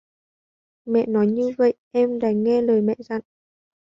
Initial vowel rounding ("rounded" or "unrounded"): unrounded